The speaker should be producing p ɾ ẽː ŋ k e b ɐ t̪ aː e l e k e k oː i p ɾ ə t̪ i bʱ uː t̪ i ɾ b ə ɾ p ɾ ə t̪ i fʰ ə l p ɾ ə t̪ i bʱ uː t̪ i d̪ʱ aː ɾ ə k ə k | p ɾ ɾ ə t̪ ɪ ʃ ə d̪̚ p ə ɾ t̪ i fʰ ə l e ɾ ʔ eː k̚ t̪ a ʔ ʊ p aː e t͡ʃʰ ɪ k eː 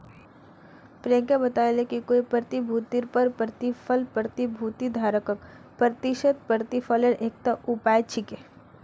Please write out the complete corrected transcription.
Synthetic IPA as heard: p ɾ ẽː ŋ k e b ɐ t̪ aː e l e k i k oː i p ɾ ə t̪ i bʱ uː t̪ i ɾ p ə ɾ p ɾ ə t̪ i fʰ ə l p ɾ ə t̪ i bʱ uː t̪ i d̪ʱ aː ɾ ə k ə k | p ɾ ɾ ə t̪ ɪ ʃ ə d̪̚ p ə ɾ t̪ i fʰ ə l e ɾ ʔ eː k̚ t̪ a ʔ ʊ p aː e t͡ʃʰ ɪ k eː